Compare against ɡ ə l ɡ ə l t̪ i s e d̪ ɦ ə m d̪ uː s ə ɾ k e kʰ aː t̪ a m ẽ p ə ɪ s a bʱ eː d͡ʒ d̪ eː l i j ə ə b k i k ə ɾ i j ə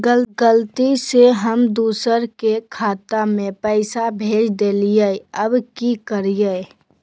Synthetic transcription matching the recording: ɡ ə l ɡ ə l t̪ i s e ɦ ə m d̪ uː s ə ɾ k e kʰ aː t̪ a m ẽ p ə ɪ s a bʱ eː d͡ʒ d̪ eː l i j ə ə b k i k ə ɾ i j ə